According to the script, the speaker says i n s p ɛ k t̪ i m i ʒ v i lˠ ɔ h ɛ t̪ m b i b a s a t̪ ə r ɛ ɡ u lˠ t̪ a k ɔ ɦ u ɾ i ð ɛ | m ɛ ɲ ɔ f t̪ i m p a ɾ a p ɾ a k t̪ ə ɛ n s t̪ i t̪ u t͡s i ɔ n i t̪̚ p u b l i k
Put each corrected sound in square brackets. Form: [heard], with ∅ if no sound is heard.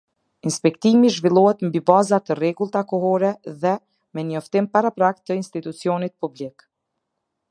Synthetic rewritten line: i n s p ɛ k t̪ i m i ʒ v i lˠ ɔ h ɛ t̪ m b i b a [z] a t̪ ə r ɛ ɡ u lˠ t̪ a k ɔ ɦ [ɔ] ɾ [ɛ] ð ɛ | m ɛ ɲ ɔ f t̪ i m p a ɾ a p ɾ a k t̪ ə [i] n s t̪ i t̪ u t͡s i ɔ n i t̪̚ p u b l i k